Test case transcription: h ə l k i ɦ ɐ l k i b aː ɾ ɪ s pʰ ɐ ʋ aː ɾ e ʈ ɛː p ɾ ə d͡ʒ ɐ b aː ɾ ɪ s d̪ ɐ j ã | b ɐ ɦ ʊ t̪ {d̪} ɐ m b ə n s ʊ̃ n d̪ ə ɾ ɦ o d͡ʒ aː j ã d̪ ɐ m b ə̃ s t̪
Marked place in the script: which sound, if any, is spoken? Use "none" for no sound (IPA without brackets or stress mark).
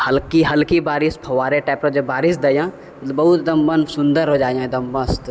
d̪